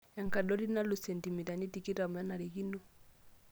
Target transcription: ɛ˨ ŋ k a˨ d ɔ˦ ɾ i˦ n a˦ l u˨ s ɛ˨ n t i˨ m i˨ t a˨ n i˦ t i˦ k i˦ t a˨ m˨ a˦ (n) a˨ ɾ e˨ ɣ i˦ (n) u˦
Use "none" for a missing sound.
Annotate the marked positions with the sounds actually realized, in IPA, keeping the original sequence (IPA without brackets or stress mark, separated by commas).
n, n